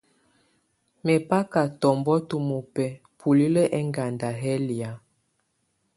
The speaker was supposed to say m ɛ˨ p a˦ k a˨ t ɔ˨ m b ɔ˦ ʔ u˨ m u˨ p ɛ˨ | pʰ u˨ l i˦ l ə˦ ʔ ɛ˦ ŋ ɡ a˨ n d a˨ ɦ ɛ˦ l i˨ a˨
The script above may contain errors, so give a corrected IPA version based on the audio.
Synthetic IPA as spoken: m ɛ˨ p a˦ k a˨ t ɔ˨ m b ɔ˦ t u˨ m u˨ p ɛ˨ | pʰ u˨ l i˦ l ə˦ ʔ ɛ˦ ŋ ɡ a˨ n d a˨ ɦ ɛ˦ l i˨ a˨